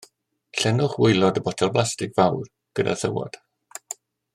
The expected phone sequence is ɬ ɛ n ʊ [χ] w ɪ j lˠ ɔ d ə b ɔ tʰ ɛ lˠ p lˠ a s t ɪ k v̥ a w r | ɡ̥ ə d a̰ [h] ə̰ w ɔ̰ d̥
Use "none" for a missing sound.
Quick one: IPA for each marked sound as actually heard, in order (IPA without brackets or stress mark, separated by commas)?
χ, θ